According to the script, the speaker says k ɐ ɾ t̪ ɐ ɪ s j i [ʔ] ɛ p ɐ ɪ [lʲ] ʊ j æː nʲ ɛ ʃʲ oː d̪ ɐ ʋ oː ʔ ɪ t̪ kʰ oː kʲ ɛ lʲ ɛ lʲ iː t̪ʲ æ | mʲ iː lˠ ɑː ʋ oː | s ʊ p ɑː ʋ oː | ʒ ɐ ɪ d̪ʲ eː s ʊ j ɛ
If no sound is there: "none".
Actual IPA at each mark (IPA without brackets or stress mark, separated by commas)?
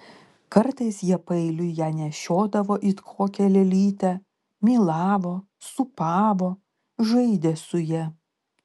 none, lʲ